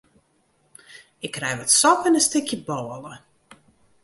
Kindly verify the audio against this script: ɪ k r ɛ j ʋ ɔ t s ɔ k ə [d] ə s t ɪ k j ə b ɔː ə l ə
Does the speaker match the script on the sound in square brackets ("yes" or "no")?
no